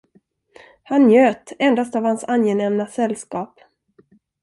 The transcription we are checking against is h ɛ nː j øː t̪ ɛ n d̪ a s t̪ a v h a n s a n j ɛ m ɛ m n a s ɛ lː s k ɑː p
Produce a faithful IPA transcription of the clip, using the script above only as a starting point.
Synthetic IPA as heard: h a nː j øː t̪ ɛ n d̪ a s t̪ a v h a n s a n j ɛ n ɛ m n a s ɛ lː s k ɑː p